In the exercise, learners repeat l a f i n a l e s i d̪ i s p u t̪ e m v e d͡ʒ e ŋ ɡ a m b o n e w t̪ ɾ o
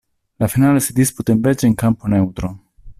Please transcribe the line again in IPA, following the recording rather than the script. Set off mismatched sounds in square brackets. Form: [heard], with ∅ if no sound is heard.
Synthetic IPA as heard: l a f i n a l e s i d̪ i s p u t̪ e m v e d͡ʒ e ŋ [k] a m [p] o n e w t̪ ɾ o